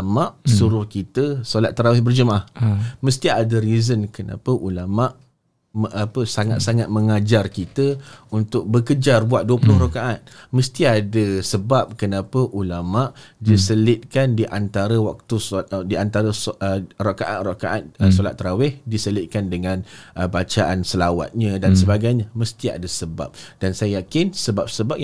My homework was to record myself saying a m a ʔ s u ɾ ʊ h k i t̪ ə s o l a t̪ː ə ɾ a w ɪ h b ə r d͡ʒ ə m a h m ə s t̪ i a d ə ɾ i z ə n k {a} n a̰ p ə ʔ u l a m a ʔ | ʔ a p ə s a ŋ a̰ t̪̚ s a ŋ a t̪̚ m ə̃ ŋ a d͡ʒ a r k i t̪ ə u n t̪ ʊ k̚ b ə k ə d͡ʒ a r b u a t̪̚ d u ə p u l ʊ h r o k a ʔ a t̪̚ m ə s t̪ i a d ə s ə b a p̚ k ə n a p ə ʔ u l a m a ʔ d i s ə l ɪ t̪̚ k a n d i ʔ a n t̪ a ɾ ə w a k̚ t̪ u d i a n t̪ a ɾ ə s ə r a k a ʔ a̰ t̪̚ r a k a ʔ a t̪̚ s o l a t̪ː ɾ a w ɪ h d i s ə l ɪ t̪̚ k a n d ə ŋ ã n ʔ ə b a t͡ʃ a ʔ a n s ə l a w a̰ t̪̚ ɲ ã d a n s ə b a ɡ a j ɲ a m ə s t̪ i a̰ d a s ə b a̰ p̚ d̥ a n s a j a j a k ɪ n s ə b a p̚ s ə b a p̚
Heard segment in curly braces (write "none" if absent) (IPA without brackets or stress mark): ə